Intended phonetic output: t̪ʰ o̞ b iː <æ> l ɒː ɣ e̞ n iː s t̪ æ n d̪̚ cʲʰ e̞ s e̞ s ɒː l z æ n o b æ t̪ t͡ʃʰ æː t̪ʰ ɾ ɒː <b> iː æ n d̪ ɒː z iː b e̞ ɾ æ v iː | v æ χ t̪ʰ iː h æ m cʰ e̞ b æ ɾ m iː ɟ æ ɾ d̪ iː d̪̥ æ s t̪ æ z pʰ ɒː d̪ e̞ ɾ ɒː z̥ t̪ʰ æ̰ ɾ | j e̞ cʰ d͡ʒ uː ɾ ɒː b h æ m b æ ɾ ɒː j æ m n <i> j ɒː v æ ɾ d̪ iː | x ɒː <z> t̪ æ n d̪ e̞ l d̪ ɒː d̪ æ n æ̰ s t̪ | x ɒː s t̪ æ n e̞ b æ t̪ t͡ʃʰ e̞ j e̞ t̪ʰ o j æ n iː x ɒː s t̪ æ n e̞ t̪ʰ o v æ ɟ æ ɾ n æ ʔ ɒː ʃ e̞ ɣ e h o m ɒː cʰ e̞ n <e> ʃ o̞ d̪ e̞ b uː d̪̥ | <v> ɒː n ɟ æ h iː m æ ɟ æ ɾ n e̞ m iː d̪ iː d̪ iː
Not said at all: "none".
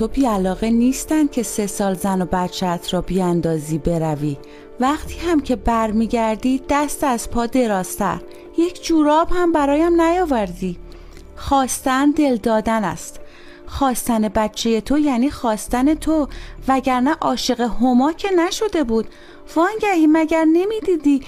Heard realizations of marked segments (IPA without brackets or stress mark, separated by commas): æ, b, æ, s, æ, v